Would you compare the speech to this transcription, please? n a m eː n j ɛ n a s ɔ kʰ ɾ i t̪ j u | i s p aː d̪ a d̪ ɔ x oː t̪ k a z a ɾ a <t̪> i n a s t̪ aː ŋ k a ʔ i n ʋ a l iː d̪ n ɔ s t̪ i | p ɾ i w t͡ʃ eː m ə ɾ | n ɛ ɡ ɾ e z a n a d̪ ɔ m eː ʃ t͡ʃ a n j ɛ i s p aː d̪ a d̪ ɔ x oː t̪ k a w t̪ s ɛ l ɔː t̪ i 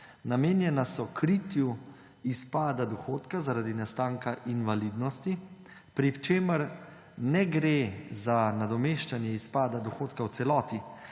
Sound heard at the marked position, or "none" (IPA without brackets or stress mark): d̪